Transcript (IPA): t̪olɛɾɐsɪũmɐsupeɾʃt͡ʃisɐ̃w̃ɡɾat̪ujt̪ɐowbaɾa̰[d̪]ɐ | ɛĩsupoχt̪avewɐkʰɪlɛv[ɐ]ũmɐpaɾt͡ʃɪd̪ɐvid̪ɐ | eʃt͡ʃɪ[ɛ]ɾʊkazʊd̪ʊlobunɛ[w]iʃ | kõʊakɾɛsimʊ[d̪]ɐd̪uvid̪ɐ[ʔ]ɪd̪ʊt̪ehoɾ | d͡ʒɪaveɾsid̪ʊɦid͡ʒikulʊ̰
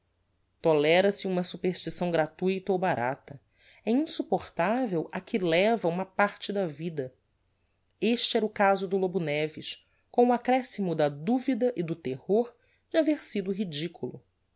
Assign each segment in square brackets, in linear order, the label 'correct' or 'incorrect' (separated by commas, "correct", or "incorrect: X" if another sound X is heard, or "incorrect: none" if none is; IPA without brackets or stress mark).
incorrect: t̪, correct, correct, incorrect: v, correct, correct